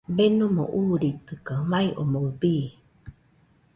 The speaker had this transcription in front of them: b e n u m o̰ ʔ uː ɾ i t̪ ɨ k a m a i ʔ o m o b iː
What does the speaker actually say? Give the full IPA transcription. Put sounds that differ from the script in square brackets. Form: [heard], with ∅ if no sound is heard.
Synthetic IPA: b e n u m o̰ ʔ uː ɾ i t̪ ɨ k a m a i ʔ o m o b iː